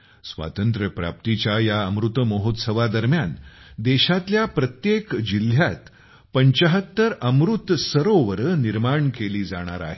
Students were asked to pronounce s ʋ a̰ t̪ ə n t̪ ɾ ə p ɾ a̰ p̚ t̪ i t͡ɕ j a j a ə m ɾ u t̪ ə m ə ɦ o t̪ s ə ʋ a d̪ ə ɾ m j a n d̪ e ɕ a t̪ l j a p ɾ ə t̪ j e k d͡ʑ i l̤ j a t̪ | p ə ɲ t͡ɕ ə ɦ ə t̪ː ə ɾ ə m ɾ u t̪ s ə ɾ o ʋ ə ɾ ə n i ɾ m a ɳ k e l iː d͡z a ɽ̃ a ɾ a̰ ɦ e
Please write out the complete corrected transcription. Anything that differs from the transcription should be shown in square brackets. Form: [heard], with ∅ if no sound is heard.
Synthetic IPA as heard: s ʋ a̰ t̪ ə n t̪ ɾ ə p ɾ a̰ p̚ t̪ i t͡ɕ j a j a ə m ɾ u t̪ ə m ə ɦ o t̪ s ə ʋ a d̪ ə ɾ m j a n d̪ e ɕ a t̪ l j a p ɾ ə t̪ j e k d͡ʑ i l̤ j a t̪ | p ə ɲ t͡ɕ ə ɦ ə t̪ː ə ɾ ə m ɾ u t̪ s ə ɾ o ʋ ə ɾ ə n i ɾ m a ɳ k e l iː d͡z a ɽ̃ a ɾ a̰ ɦ e